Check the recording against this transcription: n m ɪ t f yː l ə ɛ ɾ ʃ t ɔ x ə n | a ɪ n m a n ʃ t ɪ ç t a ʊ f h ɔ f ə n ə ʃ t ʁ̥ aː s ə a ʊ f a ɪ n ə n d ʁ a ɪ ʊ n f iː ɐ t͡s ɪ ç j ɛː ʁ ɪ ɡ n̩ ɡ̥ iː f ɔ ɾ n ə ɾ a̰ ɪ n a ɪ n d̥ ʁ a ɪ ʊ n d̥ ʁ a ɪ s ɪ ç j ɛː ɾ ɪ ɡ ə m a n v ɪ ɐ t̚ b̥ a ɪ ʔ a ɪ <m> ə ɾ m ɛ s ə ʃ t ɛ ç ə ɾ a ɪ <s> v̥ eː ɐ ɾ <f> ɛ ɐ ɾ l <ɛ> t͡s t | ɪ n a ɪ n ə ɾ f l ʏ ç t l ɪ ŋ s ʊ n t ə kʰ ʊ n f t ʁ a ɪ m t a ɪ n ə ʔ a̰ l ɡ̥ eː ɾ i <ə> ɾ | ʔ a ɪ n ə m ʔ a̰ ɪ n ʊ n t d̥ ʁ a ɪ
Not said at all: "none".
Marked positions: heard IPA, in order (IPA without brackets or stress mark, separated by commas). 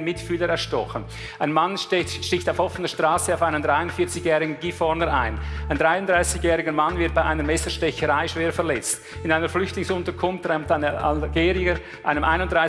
n, ʃ, f, ɛ, ə